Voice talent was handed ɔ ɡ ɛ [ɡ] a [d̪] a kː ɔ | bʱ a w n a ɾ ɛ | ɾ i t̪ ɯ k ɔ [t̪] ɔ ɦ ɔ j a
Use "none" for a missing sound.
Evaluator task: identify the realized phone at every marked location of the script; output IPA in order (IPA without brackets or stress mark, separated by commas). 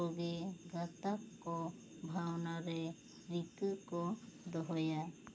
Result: ɡ, t̪, d̪